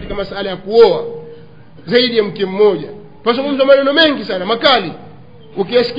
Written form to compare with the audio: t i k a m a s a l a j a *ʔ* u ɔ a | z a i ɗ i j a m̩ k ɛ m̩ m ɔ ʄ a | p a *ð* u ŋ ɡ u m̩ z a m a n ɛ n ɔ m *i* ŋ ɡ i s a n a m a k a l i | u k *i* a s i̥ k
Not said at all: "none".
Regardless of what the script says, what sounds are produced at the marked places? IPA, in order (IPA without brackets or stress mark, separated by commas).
k, z, ɛ, i